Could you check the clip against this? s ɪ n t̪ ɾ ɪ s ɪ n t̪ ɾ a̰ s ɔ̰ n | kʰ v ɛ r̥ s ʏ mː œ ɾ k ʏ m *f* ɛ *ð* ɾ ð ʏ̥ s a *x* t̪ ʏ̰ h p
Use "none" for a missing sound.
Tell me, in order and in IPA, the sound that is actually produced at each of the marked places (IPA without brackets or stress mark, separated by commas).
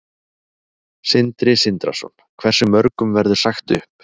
v, none, x